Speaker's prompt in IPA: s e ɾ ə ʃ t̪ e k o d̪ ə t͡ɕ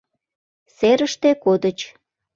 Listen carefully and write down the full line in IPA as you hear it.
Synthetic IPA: s e ɾ ə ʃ t̪ e k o d̪ ə t͡ɕ

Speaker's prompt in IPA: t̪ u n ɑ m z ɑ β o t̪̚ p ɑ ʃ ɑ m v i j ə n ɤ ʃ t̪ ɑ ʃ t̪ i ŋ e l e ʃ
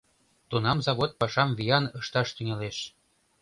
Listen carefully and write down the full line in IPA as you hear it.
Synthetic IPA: t̪ u n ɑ m z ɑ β o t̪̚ p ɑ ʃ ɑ m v i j ɑ n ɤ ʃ t̪ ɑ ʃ t̪ y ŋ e l e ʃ

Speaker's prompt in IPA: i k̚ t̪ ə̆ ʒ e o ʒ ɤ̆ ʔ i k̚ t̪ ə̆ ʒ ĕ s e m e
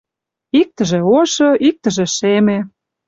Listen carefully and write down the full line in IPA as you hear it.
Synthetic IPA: i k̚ t̪ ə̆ ʒ e o ʃ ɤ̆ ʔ i k̚ t̪ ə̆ ʒ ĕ ʃ e m e

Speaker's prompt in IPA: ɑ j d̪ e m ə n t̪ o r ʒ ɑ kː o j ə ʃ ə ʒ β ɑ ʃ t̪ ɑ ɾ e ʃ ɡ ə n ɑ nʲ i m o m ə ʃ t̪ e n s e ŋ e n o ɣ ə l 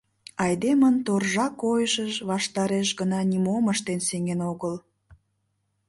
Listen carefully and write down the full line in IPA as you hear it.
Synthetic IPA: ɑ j d̪ e m ə n t̪ o r ʒ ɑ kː o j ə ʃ ə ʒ β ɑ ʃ t̪ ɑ ɾ e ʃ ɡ ə n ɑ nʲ i m o m ə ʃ t̪ e n s e ŋ e n o ɣ ə l

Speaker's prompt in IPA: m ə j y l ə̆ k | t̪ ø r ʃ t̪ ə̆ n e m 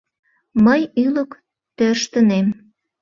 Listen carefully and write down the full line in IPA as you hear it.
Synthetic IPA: m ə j y l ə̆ k | t̪ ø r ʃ t̪ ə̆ n e m

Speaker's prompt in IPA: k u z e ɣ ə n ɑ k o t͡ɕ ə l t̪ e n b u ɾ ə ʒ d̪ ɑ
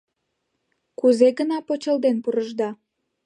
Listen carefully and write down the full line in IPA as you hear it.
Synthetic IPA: k u z e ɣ ə n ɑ p o t͡ɕ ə l d̪ e n p u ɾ ə ʒ d̪ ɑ

